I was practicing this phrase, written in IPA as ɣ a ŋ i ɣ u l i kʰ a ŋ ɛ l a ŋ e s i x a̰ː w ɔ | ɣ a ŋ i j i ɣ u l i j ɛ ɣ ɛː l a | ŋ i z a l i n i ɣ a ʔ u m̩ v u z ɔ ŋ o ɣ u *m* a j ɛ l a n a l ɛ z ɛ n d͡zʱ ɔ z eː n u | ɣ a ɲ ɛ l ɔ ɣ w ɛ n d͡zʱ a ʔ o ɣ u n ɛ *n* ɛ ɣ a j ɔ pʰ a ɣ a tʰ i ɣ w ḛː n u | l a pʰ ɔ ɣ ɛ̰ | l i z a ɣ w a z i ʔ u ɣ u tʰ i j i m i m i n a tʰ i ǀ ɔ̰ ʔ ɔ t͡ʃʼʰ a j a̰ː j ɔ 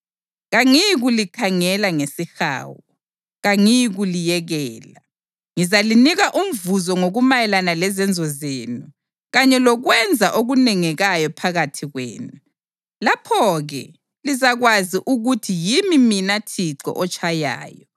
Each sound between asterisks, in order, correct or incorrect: correct, incorrect: ŋ

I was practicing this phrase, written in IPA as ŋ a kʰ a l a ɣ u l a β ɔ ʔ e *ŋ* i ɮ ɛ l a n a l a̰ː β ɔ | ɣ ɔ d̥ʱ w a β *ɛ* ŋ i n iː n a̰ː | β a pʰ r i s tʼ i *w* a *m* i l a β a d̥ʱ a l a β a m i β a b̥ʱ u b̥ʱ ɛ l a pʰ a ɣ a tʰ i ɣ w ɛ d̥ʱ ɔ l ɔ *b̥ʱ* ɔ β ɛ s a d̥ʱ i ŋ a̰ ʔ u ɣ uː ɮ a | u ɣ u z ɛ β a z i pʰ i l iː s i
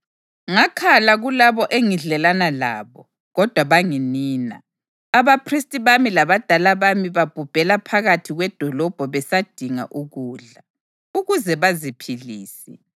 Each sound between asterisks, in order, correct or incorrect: correct, incorrect: a, incorrect: β, correct, correct

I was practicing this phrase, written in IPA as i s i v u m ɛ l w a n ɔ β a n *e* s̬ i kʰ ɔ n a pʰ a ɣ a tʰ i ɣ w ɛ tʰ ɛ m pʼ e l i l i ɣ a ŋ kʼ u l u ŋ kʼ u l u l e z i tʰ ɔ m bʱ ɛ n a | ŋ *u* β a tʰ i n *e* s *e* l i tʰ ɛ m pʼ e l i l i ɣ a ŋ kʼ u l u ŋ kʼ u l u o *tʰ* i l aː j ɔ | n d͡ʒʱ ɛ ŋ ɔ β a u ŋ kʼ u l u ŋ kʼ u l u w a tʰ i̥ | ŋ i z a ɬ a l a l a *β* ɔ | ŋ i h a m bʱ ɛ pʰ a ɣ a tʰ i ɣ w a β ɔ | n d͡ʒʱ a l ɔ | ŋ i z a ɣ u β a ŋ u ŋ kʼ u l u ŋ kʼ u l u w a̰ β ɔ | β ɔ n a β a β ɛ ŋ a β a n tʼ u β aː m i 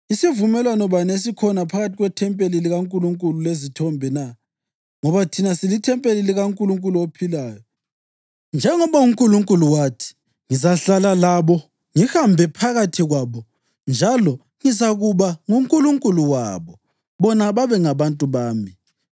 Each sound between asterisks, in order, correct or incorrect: correct, incorrect: ɔ, incorrect: a, incorrect: i, incorrect: pʰ, correct

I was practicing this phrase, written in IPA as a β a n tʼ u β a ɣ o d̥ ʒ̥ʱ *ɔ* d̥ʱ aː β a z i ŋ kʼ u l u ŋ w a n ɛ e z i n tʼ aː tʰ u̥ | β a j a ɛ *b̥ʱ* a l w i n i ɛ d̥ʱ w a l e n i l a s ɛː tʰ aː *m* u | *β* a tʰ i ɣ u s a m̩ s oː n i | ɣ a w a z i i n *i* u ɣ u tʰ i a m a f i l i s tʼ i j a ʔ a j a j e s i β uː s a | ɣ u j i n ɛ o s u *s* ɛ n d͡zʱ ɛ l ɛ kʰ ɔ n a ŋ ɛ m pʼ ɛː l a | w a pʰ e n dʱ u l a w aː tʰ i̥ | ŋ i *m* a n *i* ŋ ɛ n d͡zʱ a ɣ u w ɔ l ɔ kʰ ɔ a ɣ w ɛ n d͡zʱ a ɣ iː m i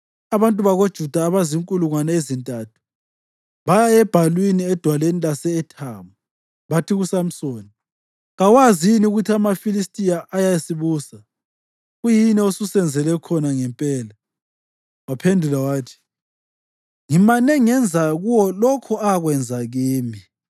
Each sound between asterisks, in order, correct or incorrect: incorrect: u, correct, correct, correct, correct, correct, correct, incorrect: ɛ

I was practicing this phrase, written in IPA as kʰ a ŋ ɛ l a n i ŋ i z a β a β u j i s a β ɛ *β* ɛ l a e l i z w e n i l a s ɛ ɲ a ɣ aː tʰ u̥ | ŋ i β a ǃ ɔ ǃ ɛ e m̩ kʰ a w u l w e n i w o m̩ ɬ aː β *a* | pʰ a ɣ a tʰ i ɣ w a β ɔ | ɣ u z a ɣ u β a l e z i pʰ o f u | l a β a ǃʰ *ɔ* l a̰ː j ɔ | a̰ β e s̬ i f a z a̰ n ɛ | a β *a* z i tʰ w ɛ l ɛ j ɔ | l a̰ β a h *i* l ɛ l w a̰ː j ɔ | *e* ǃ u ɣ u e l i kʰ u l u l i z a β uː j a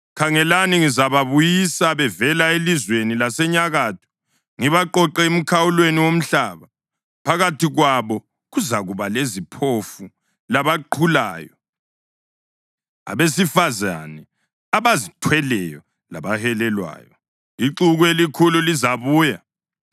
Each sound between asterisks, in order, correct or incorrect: incorrect: v, correct, incorrect: u, correct, incorrect: ɛ, incorrect: i

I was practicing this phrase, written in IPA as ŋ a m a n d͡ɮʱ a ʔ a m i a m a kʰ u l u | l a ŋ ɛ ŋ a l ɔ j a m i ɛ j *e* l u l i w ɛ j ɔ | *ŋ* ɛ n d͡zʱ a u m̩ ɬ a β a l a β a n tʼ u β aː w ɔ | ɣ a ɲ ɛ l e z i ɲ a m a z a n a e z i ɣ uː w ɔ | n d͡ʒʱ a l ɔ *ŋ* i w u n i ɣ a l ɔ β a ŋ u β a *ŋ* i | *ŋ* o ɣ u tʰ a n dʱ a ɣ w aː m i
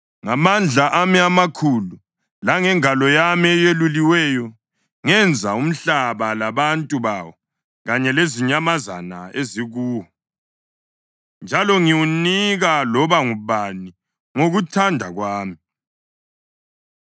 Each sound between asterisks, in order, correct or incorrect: correct, correct, correct, incorrect: n, correct

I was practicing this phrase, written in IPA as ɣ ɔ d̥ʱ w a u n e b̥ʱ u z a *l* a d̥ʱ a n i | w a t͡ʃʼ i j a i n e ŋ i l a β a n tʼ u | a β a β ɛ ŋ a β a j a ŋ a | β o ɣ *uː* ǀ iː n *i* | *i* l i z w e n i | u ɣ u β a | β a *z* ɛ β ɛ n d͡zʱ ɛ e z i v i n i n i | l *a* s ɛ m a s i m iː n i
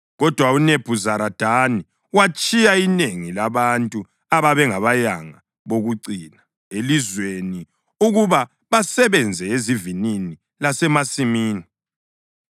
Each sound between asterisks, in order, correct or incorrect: incorrect: ɾ, incorrect: u, incorrect: a, incorrect: e, incorrect: s, correct

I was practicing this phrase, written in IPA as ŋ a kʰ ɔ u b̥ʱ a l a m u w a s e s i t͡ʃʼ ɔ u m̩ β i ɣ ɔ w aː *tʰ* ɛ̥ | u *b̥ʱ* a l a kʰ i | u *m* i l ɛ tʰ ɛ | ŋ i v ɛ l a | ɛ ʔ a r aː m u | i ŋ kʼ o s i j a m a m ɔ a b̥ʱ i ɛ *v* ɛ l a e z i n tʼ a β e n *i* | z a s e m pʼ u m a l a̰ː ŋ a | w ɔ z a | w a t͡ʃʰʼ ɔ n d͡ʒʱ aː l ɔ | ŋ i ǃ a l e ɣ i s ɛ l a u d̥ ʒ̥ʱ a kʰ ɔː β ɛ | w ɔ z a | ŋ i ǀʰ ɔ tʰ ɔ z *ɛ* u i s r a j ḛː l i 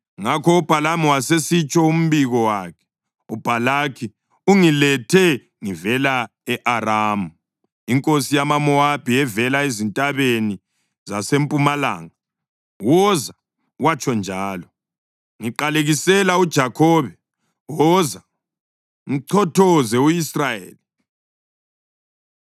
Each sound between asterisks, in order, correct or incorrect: incorrect: kʰ, correct, incorrect: ŋ, correct, correct, correct

